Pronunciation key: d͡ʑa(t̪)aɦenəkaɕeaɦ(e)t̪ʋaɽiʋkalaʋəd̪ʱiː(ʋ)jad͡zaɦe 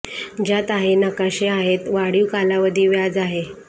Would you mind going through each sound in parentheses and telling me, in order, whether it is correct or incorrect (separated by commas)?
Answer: correct, correct, correct